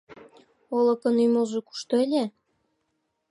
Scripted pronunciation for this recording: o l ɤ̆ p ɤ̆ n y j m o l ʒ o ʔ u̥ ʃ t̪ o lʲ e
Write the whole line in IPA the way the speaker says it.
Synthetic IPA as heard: o l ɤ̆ k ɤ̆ n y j m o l ʒ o k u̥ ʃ t̪ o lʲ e